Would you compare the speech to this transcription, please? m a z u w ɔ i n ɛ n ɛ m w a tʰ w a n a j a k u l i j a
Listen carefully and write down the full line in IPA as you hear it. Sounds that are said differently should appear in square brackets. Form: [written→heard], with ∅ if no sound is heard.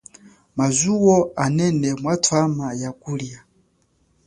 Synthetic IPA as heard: m a z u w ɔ [i→a] n ɛ n ɛ m w a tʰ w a [n→m] a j a k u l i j a